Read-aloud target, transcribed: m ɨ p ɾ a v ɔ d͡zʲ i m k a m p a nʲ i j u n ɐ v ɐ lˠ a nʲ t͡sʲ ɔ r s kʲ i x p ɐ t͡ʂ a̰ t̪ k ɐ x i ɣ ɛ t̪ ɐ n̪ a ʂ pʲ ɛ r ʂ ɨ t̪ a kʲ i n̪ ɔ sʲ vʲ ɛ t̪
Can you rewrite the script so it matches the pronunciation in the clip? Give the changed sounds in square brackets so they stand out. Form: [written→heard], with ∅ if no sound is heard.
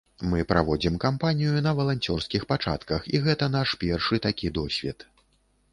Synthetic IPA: m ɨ p ɾ a v ɔ d͡zʲ i m k a m p a nʲ i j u n ɐ v ɐ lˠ a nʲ t͡sʲ ɔ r s kʲ i x p [ɐ→a] t͡ʂ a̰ t̪ k ɐ x i ɣ ɛ t̪ ɐ n̪ a ʂ pʲ ɛ r ʂ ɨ t̪ a kʲ i [n̪→d̪] ɔ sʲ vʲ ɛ t̪